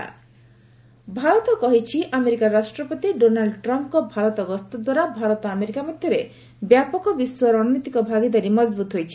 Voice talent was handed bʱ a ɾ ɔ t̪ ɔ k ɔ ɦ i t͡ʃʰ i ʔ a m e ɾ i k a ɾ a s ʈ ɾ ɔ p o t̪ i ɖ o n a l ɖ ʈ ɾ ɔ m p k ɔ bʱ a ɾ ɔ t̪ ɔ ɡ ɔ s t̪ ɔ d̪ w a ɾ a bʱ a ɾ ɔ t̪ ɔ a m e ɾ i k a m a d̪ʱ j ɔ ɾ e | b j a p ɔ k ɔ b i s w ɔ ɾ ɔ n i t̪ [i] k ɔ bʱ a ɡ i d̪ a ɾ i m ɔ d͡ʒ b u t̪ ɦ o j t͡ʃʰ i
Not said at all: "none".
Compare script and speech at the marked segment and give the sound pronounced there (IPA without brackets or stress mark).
i